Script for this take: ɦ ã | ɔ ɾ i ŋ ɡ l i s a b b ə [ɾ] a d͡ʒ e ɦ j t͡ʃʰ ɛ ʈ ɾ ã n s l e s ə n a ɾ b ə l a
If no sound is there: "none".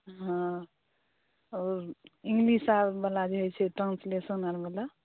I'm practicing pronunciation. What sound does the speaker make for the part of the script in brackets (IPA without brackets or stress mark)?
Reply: l